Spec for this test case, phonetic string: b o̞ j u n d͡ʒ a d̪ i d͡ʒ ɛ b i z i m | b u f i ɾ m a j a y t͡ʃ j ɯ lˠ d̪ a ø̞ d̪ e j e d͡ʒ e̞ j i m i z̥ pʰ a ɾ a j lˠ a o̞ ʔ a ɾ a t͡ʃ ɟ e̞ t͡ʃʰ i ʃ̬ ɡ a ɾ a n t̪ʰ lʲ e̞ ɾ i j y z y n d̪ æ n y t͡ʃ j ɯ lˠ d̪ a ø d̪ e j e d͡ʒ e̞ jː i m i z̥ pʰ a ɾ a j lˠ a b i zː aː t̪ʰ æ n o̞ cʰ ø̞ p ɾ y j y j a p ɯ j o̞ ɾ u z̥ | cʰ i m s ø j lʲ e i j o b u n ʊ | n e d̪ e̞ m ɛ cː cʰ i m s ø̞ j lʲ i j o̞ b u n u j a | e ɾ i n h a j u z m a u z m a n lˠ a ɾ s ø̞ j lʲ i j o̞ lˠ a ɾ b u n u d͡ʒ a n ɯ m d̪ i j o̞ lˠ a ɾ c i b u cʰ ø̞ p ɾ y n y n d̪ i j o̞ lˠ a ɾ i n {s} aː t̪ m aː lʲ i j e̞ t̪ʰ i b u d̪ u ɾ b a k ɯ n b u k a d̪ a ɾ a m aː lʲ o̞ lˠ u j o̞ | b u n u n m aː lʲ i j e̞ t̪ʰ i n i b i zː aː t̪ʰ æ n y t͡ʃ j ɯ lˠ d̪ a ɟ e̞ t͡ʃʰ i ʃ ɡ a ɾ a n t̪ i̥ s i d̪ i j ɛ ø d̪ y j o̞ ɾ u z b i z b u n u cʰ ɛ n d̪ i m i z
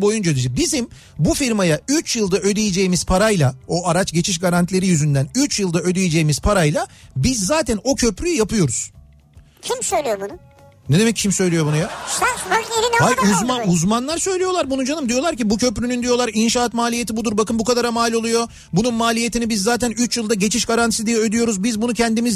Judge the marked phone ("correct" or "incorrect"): incorrect